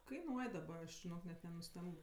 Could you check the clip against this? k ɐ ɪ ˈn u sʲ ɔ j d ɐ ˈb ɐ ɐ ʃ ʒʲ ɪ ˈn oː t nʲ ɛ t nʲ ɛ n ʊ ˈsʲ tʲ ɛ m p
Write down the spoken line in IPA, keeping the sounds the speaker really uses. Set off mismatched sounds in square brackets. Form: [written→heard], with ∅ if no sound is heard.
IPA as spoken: k ɐ ɪ ˈn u [sʲ→∅] ɔ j d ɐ ˈb ɐ ɐ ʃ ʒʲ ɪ ˈn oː [t→k] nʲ ɛ t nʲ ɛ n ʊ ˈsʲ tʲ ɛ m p